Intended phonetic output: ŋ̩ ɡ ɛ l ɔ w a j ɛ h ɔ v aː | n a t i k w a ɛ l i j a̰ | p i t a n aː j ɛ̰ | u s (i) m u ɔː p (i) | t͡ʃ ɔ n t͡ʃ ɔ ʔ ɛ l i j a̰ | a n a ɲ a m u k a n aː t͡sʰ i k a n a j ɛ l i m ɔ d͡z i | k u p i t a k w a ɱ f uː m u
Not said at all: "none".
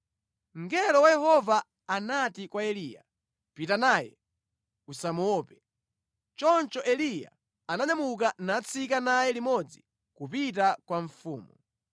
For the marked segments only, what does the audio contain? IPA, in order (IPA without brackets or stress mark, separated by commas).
a, ɛ